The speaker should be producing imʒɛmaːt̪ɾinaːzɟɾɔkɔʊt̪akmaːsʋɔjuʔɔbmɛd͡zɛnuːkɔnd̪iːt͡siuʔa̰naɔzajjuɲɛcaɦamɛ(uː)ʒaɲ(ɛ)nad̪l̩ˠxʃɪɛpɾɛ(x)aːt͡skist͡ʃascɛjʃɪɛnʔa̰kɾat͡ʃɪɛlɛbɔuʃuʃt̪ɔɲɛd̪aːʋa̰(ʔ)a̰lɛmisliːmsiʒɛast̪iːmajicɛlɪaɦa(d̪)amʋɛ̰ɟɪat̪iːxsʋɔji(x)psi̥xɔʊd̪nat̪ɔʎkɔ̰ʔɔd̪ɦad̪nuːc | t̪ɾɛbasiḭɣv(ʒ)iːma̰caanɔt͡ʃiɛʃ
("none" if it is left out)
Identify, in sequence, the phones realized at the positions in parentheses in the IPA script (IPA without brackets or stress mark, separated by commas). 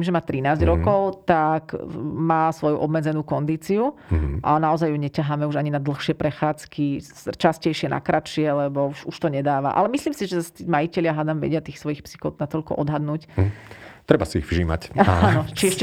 u, i, x, ʔ, d̪, x, ʒ